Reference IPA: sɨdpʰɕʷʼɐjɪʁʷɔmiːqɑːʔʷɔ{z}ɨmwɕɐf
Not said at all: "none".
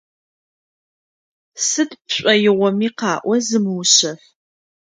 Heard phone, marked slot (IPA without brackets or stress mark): z